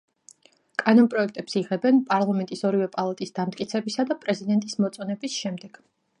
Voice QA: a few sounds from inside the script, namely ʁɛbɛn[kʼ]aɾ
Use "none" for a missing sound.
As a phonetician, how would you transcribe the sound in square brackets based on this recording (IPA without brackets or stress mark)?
pʼ